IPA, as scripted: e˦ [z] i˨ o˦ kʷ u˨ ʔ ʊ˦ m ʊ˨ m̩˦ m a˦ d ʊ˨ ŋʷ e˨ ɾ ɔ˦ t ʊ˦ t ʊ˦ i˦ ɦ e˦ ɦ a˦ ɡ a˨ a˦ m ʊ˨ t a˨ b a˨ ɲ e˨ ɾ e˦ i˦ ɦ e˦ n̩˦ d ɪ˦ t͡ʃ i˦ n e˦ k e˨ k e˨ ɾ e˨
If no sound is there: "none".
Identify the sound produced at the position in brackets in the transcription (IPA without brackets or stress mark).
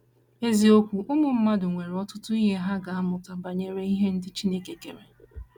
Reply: z